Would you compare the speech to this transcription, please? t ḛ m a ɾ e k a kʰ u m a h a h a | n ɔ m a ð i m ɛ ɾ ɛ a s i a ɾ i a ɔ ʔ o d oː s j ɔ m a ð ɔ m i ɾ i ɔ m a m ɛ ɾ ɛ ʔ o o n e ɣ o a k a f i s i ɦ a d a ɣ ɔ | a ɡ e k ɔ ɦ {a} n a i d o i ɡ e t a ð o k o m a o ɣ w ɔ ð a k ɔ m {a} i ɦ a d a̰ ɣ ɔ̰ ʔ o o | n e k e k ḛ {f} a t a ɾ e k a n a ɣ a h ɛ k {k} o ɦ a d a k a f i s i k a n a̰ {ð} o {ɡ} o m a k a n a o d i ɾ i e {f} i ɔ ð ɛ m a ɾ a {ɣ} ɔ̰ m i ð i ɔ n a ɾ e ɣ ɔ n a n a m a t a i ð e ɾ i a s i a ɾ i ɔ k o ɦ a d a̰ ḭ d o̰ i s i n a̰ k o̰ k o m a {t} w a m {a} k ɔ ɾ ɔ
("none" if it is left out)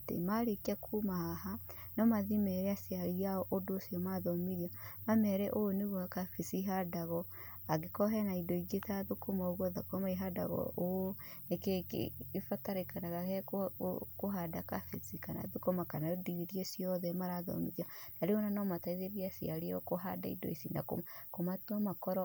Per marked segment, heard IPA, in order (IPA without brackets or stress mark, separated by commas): ɛ, a, f, k, ð, k, s, ð, t, a